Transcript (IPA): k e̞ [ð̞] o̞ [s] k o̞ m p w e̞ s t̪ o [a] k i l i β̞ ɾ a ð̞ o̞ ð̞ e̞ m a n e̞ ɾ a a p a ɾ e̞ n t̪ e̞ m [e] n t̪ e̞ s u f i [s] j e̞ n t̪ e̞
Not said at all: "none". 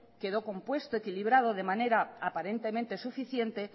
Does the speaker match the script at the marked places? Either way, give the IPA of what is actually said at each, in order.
ð̞, none, e, ẽ, θ

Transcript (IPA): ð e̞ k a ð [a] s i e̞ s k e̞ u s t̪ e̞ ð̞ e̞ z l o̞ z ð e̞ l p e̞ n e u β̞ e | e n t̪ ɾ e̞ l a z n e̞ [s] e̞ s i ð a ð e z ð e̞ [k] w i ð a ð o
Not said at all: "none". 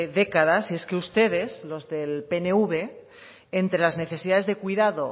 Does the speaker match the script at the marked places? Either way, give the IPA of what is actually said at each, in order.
a, θ, k

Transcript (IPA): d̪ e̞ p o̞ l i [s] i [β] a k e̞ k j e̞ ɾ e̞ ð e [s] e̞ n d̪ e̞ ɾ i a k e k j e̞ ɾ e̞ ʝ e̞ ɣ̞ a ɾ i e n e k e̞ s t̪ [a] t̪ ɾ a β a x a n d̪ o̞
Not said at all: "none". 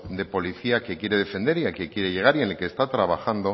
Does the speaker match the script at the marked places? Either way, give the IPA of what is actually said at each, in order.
θ, none, f, a

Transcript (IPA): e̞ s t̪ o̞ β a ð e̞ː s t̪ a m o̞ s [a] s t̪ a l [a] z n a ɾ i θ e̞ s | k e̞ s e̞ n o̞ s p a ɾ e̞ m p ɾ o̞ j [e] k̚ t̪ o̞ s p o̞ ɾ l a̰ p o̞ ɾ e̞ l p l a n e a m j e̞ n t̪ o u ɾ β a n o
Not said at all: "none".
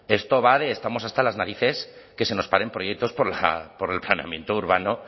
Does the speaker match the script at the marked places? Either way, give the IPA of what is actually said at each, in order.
a, a, e

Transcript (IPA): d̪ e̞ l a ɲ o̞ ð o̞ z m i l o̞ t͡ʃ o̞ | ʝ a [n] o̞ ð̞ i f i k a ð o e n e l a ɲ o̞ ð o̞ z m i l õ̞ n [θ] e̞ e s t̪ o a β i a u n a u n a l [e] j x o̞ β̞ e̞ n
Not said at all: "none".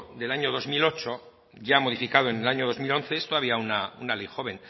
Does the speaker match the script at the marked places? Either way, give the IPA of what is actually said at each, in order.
m, θ, e

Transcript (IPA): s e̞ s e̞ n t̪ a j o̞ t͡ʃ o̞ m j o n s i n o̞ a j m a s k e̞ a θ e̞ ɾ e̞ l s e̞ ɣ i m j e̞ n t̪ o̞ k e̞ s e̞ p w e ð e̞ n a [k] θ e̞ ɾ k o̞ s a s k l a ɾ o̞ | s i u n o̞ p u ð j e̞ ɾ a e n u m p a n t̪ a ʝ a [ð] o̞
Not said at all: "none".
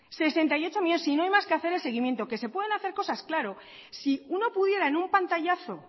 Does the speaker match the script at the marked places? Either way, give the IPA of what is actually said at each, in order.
none, θ

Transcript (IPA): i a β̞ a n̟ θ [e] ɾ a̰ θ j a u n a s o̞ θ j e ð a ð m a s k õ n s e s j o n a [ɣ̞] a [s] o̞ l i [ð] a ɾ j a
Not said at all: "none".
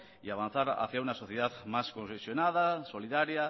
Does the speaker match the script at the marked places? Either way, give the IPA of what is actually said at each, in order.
a, ð̞, s, ð

